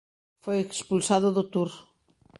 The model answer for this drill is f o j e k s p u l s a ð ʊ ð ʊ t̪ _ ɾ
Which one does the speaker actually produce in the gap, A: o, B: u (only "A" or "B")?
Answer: B